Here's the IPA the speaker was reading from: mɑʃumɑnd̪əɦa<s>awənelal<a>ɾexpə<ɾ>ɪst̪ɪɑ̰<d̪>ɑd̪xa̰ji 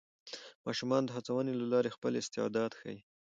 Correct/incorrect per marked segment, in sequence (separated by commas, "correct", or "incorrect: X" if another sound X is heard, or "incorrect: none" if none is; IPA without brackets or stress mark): incorrect: t͡s, incorrect: ɑ, incorrect: l, correct